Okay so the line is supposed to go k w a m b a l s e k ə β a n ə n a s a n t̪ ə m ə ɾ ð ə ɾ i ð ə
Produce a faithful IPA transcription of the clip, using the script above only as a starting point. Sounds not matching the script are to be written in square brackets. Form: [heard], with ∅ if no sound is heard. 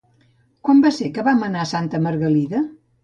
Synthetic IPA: k w a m b a [∅] s e k ə β a [m] ə n a s a n t̪ ə m ə ɾ [ɣ] ə [l] i ð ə